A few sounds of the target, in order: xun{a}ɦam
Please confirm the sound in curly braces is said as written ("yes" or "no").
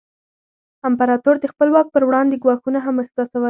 yes